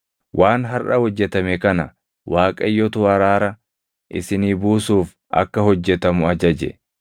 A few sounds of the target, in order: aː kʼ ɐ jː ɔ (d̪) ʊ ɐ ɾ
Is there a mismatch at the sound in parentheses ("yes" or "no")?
yes